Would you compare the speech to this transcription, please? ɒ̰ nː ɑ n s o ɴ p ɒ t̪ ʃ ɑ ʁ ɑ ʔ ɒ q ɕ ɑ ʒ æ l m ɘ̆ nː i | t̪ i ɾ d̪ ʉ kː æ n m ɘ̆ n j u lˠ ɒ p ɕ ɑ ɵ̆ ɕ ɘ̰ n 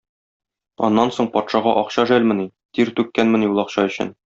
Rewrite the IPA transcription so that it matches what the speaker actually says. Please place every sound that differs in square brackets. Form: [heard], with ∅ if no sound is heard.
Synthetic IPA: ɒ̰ nː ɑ n s o ɴ p ɒ t̪ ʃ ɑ ʁ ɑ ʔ ɒ q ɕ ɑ ʒ æ l m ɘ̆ [n] i | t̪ i ɾ [t̪] ʉ kː æ n m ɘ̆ n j u lˠ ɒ [q] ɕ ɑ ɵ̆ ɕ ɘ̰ n